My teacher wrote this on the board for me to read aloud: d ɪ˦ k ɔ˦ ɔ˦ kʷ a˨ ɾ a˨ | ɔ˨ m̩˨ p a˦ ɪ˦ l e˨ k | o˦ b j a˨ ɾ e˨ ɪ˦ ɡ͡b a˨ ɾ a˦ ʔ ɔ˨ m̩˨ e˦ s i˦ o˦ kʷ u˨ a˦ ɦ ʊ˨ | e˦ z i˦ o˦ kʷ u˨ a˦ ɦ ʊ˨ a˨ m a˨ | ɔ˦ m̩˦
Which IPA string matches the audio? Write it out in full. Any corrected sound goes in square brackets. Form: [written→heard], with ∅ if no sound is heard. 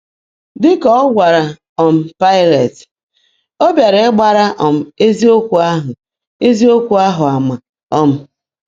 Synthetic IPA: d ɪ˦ k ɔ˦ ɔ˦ [kʷ→ɡʷ] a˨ ɾ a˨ | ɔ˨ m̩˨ p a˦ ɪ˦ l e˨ [k→t] | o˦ b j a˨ ɾ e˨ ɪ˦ ɡ͡b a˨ ɾ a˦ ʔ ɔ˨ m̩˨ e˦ [s→z] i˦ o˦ kʷ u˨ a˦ ɦ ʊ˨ | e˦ z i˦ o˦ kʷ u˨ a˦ ɦ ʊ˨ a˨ m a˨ | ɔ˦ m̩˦